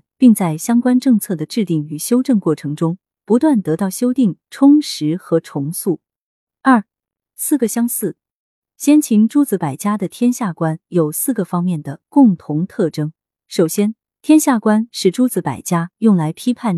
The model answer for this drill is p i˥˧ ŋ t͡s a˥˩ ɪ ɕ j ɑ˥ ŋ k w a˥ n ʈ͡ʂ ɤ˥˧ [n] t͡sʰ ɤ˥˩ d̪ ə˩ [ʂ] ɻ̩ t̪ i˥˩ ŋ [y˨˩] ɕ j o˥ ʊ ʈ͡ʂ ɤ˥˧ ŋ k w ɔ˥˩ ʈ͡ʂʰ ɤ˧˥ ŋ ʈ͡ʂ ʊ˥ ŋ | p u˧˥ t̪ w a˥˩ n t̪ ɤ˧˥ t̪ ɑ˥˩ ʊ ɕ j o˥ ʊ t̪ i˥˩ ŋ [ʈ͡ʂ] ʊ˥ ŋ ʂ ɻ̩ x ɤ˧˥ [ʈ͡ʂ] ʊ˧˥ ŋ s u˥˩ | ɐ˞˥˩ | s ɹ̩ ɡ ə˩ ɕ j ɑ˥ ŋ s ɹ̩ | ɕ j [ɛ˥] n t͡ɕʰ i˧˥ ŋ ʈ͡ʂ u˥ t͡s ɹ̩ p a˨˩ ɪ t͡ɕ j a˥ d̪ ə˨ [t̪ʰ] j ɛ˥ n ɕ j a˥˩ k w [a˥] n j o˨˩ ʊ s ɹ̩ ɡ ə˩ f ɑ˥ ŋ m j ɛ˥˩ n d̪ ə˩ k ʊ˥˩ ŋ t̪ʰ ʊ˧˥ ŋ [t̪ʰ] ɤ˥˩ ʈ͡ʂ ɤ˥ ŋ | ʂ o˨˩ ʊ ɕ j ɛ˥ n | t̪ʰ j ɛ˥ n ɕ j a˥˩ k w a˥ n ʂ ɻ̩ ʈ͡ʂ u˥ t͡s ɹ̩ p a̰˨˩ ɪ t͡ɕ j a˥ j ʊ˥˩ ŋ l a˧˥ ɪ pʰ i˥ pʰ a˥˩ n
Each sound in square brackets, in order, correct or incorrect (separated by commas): incorrect, incorrect, correct, incorrect, incorrect, correct, correct, correct, correct